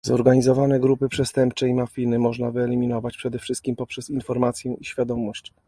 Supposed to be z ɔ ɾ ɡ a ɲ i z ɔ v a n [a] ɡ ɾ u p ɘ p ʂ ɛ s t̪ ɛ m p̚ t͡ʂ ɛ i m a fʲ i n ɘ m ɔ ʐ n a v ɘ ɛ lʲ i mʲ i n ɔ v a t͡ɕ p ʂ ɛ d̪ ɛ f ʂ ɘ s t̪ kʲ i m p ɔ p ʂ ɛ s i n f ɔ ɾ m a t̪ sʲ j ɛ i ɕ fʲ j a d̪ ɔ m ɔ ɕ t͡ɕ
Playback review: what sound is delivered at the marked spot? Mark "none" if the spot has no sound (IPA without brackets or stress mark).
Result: ɛ